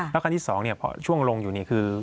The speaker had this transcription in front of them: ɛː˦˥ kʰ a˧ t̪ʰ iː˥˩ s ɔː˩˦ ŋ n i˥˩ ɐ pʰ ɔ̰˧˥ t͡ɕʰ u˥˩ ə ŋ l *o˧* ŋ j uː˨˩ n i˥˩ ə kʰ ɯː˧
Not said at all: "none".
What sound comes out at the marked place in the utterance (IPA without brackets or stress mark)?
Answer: o˧